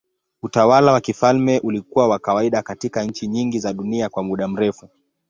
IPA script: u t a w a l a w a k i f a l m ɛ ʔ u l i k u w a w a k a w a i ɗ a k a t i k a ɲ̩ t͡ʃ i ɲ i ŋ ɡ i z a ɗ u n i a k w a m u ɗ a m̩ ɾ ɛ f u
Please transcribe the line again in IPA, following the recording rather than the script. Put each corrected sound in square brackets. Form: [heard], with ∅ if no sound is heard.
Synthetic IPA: u t a w a l a w a k i f a l m ɛ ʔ u l i k u w a w a k a w a i ɗ a k a t i k a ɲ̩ t͡ʃ i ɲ i ŋ ɡ i z a ɗ u n i a k w a m u ɗ a m̩ ɾ ɛ f u